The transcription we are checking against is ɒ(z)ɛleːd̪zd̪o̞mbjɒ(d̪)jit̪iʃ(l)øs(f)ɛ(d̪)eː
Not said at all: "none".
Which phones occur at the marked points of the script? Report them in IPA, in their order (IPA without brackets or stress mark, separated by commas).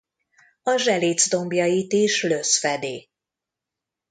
ʒ, none, l, f, d̪